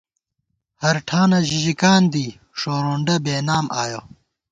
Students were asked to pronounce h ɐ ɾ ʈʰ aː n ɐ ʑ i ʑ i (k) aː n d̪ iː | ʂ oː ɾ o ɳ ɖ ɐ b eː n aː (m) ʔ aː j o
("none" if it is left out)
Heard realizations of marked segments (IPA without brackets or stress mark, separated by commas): k, m